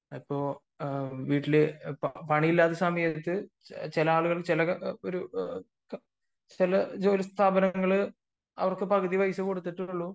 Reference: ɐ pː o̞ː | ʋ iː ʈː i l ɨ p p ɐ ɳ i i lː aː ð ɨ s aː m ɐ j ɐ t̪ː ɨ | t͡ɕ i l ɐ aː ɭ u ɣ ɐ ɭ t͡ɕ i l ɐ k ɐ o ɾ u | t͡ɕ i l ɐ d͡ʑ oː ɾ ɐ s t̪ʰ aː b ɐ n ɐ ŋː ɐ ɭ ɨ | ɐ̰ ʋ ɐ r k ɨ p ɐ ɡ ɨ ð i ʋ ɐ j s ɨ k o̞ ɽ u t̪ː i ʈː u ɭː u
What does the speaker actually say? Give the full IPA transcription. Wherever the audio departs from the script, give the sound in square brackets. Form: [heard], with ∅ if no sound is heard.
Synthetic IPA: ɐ pː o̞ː | ʋ iː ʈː i l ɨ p p ɐ ɳ i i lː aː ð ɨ s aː m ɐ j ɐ t̪ː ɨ | t͡ɕ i l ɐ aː ɭ u ɣ ɐ ɭ t͡ɕ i l ɐ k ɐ o ɾ u | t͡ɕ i l ɐ d͡ʑ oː [l] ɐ s t̪ʰ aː b ɐ n ɐ ŋː ɐ ɭ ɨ | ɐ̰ ʋ ɐ r k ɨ p ɐ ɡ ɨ ð i ʋ ɐ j s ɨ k o̞ ɽ u t̪ː i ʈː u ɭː u